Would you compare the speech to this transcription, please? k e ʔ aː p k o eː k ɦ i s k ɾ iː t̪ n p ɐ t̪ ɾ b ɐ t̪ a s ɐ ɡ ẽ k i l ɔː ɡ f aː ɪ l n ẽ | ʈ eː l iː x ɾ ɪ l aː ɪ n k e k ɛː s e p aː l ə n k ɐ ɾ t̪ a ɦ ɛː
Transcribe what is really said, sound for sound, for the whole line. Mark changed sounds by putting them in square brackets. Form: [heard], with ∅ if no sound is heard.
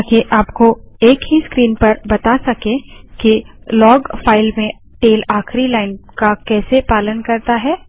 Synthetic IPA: k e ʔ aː p k o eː k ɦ i s k ɾ iː [∅] n p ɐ [∅] ɾ b ɐ t̪ a s ɐ [k] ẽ k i l ɔː ɡ f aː ɪ l [m] ẽ | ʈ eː l [aː] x ɾ [i] l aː ɪ n k [a] k ɛː s e p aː l ə n k ɐ ɾ t̪ a ɦ ɛː